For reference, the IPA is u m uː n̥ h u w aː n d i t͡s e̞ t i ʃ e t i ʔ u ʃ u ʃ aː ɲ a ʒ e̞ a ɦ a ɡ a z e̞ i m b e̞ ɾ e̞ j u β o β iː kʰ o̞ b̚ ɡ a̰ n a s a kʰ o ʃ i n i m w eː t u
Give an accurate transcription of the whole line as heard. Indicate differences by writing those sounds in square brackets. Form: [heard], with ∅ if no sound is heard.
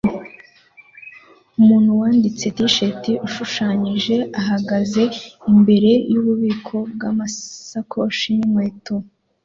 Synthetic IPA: u m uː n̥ h u w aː n d i t͡s e̞ t i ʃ e t i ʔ u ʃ u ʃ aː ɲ [i] ʒ e̞ a ɦ a ɡ a z e̞ i m b e̞ ɾ e̞ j u β [u] β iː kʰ o̞ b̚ ɡ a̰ [m] a s a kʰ o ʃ i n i m w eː t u